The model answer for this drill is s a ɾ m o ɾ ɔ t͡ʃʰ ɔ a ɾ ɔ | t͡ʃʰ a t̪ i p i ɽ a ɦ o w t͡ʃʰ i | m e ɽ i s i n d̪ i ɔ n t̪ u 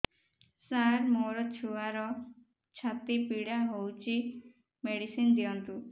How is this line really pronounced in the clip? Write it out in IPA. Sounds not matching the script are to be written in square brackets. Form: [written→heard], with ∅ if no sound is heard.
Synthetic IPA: s a ɾ m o ɾ ɔ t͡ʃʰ [ɔ→u] a ɾ ɔ | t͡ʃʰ a t̪ i p i ɽ a ɦ o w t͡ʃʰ i | m e ɽ i s i n d̪ i ɔ n t̪ u